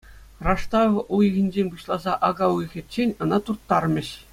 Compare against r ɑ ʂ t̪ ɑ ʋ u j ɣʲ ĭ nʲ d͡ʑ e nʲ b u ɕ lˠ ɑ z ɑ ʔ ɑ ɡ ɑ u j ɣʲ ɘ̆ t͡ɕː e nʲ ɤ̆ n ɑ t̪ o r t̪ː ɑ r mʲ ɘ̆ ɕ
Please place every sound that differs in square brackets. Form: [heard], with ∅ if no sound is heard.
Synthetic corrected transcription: r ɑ ʂ t̪ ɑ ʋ u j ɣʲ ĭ nʲ d͡ʑ e nʲ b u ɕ lˠ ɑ z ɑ ʔ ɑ ɡ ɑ u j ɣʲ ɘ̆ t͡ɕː e nʲ ɤ̆ n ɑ t̪ [u] r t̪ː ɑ r mʲ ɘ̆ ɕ

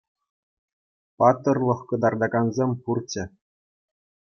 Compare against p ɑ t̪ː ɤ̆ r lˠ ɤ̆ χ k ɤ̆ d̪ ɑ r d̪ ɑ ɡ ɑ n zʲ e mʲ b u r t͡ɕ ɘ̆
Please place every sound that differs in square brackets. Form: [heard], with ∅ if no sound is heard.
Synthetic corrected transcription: p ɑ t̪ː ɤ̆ r lˠ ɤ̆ χ k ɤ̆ d̪ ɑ r d̪ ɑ ɡ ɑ n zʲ e mʲ [p] u r t͡ɕ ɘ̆

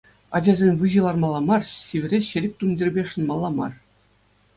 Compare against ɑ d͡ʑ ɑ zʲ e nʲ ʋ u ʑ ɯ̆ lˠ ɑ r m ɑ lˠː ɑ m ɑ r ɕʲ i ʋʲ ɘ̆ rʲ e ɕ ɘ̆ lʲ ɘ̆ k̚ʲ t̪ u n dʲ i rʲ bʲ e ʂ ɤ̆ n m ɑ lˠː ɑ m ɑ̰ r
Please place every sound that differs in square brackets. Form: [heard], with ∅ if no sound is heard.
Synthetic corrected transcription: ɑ d͡ʑ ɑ zʲ e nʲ ʋ [ɯ] ʑ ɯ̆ lˠ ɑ r m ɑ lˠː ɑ m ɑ r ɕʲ i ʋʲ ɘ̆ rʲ e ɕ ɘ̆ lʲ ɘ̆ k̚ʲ t̪ u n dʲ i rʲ bʲ e ʂ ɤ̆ n m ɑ lˠː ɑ m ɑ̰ r

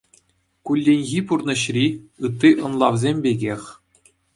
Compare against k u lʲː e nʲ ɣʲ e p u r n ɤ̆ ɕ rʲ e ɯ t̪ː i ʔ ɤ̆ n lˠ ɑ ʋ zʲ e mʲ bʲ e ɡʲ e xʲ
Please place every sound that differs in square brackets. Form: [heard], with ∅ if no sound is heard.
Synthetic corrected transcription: k u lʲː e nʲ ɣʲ [i] p u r n ɤ̆ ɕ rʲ [i] ɯ t̪ː i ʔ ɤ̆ n lˠ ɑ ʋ zʲ e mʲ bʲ e ɡʲ e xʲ

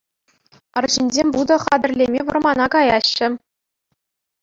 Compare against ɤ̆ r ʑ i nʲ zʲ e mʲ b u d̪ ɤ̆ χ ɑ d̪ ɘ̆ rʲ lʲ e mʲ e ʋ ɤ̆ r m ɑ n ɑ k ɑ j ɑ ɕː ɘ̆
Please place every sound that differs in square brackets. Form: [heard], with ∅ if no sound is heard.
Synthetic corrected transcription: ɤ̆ r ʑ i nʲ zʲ e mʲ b u d̪ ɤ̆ χ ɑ d̪ ɘ̆ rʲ lʲ e mʲ e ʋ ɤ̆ r m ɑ n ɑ k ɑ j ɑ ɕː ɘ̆

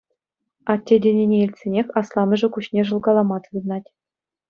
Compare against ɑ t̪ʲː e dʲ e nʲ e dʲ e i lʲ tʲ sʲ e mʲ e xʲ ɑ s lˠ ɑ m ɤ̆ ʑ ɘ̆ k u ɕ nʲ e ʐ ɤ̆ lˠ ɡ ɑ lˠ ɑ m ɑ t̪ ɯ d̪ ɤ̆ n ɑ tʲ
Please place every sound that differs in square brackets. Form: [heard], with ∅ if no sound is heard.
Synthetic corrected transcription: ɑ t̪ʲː e dʲ e nʲ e [nʲ] e i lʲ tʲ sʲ e [nʲ] e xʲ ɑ s lˠ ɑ m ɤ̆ [ʐ] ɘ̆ k u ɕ nʲ e ʐ ɤ̆ lˠ ɡ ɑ lˠ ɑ m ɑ t̪ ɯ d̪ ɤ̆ n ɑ tʲ

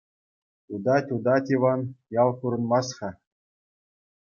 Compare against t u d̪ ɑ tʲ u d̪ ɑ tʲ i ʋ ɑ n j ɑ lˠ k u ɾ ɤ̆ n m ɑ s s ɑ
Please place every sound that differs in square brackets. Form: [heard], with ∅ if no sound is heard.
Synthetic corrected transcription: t u d̪ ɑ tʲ u d̪ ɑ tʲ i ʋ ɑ n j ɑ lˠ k u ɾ ɤ̆ n m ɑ s [χ] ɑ

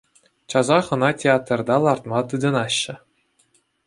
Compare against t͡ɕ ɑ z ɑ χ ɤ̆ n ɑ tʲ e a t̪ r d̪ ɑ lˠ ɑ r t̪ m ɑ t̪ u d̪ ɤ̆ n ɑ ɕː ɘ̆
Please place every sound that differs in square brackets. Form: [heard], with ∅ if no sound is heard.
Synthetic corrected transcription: t͡ɕ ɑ z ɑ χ ɤ̆ n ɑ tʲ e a t̪ r d̪ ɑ lˠ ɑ r t̪ m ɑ t̪ [ɯ] d̪ ɤ̆ n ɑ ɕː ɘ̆

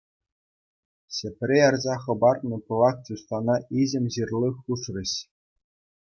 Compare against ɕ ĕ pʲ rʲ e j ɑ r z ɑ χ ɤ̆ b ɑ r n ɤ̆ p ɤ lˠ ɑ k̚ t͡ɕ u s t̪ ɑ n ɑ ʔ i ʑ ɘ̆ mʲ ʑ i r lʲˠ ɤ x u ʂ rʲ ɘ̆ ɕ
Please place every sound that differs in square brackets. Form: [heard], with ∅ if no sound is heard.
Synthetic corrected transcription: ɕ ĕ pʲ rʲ e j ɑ r z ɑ χ ɤ̆ b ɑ r n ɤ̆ p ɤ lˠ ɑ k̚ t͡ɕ u s t̪ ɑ n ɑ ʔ i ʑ ɘ̆ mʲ ʑ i r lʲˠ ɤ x u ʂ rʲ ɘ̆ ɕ

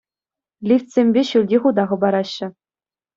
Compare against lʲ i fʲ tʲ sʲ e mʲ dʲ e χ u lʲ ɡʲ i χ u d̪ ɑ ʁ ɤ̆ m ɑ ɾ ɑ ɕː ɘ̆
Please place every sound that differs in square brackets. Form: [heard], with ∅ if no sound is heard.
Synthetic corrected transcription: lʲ i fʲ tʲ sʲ e mʲ [bʲ] e [ɕ] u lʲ [dʲ] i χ u d̪ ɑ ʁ ɤ̆ [b] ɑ ɾ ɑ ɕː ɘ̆

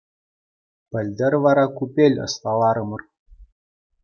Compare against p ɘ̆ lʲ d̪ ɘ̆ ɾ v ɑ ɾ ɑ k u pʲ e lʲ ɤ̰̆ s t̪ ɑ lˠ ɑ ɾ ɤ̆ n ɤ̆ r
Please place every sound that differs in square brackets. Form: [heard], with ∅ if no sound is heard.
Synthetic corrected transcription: p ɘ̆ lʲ d̪ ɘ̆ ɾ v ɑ ɾ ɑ k u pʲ e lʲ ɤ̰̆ s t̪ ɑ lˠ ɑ ɾ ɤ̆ [m] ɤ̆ r

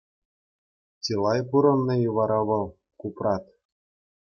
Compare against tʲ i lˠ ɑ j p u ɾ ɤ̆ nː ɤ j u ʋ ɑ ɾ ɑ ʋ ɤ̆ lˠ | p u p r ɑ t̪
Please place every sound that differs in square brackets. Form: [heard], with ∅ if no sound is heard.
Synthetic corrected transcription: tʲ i lˠ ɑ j p u ɾ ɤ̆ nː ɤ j u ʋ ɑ ɾ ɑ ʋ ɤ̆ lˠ | [k] u p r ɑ t̪

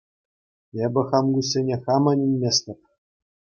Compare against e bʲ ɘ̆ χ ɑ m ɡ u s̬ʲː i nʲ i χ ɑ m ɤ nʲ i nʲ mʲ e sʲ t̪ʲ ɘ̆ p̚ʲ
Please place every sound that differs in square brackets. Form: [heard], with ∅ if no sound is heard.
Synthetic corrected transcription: e bʲ ɘ̆ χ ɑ m ɡ u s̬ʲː [e] nʲ [e] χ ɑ m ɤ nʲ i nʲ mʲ e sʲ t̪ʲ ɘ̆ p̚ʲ

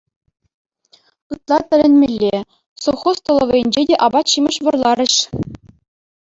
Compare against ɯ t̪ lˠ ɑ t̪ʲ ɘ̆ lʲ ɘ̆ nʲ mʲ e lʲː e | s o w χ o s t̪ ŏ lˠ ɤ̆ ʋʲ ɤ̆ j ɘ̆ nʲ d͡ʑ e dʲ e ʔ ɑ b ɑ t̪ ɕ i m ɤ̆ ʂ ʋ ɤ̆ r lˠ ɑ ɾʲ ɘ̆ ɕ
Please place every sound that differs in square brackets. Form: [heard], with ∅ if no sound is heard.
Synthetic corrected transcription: ɯ t̪ lˠ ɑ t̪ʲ ɘ̆ lʲ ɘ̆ nʲ mʲ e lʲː e | s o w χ o s t̪ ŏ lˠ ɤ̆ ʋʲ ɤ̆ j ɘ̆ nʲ d͡ʑ e dʲ e ʔ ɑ b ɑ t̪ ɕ i m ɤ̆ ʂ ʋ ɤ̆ r lˠ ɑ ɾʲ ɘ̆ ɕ

